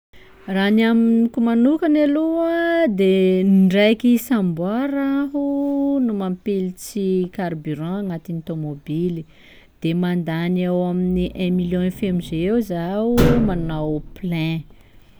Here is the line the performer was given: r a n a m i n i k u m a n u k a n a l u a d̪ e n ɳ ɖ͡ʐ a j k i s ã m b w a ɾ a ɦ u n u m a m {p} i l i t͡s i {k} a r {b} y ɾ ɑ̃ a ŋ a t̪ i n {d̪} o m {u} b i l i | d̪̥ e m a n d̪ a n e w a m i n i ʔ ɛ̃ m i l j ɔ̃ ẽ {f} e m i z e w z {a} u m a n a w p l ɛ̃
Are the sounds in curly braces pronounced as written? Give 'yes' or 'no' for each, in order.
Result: yes, yes, yes, no, no, yes, yes

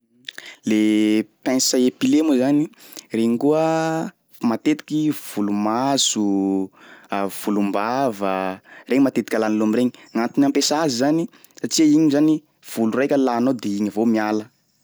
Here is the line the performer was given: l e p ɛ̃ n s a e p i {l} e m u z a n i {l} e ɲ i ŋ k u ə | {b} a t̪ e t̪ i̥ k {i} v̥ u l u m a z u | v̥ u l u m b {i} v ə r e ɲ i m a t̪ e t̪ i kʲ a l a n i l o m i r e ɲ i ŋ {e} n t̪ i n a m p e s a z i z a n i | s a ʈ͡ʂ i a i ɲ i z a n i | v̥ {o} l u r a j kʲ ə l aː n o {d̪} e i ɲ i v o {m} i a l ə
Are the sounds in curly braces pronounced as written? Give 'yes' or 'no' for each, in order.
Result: yes, no, no, yes, no, no, no, yes, yes

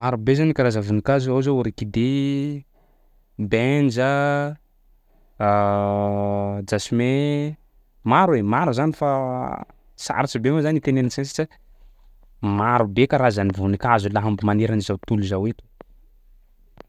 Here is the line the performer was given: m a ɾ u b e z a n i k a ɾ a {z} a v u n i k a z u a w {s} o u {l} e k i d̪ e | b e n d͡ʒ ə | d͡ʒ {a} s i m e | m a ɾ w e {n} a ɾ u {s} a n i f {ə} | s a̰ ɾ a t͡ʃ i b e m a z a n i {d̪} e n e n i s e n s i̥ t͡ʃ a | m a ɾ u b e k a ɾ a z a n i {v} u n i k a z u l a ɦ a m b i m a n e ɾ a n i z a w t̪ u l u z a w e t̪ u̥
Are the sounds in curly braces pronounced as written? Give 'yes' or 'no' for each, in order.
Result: yes, no, no, yes, no, no, no, no, yes

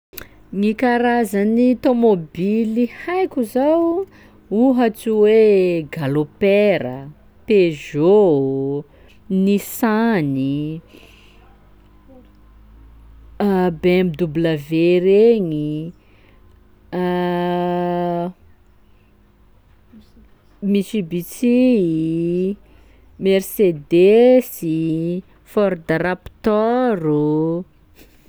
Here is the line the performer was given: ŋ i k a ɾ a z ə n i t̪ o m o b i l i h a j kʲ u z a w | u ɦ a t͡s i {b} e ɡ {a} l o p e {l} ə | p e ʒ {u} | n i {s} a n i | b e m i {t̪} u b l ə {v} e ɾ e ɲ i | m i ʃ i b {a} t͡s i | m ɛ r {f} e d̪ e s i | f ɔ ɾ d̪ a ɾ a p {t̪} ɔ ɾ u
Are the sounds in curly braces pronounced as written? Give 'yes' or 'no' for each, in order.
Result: no, yes, no, no, yes, no, yes, no, no, yes

